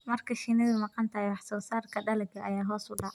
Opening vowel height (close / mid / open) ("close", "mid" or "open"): open